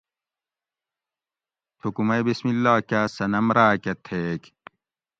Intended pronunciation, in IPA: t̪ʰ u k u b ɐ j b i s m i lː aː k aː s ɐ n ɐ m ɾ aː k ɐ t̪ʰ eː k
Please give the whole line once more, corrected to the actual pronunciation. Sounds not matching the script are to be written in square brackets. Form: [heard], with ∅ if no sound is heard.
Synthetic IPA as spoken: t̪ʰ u k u [m] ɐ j b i s m i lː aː k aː s ɐ n ɐ m ɾ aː k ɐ t̪ʰ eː k